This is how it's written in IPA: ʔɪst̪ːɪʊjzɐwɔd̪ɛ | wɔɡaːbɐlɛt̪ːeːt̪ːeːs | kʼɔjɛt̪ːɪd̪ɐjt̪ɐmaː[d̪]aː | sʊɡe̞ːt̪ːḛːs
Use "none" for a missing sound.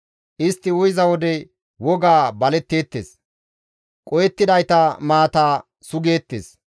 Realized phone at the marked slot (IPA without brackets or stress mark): t̪